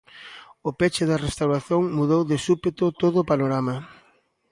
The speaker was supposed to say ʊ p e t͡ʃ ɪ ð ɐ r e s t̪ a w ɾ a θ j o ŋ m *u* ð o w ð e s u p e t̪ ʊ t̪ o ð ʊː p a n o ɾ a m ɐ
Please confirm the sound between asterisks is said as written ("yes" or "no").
yes